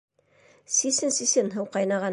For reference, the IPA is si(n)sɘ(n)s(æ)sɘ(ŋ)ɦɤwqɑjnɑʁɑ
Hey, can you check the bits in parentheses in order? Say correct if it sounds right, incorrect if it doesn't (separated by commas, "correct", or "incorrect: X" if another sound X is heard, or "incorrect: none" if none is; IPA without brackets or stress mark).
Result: incorrect: none, correct, incorrect: i, incorrect: n